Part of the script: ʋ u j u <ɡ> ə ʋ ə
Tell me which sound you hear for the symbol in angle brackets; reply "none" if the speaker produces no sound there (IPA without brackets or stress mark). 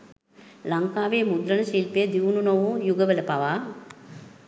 ɡ